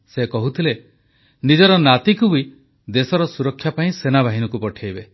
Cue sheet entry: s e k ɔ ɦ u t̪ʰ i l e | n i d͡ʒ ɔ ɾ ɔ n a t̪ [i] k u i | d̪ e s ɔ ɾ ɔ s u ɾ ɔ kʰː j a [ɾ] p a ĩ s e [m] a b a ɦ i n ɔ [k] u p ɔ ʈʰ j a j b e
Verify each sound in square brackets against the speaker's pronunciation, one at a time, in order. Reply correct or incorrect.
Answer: correct, incorrect: none, incorrect: n, correct

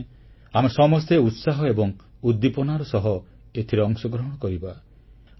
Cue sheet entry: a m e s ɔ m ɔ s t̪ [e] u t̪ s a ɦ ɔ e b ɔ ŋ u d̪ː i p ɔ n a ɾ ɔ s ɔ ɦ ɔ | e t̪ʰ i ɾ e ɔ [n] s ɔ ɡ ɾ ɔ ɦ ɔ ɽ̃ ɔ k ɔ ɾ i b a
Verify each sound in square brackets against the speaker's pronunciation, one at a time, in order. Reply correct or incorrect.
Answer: correct, incorrect: ŋ

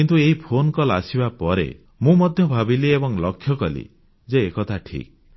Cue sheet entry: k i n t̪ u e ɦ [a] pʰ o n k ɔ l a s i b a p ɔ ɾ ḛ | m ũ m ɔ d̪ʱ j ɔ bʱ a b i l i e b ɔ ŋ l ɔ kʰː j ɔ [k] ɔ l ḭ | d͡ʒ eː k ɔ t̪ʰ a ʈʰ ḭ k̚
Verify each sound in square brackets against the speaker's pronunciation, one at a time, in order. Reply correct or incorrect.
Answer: incorrect: i, correct

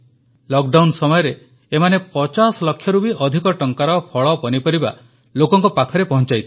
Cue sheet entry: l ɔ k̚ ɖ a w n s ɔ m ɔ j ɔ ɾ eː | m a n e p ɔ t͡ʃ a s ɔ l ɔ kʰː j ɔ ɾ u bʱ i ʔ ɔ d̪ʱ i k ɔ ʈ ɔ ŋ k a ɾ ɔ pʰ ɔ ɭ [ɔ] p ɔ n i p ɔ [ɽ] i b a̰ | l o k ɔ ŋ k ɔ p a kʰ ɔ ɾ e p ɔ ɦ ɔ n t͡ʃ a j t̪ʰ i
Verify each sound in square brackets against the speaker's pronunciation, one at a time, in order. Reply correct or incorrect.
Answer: correct, incorrect: ɾ

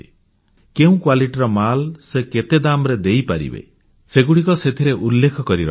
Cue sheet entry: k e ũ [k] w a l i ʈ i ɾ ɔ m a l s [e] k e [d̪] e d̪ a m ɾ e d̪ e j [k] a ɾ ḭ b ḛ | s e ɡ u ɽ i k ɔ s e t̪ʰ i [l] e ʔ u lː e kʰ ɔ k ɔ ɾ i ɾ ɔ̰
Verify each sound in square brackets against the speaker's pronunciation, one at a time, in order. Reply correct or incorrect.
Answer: correct, correct, incorrect: t̪, incorrect: p, incorrect: ɾ

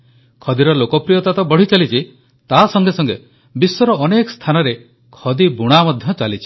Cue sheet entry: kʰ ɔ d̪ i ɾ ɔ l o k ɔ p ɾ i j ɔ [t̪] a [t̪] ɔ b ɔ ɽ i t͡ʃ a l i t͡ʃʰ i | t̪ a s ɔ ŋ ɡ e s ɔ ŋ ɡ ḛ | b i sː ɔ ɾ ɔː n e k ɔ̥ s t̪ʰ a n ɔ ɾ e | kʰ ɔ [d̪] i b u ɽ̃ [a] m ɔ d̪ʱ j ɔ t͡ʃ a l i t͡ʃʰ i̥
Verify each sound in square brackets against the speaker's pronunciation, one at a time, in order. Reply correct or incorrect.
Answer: correct, correct, correct, correct

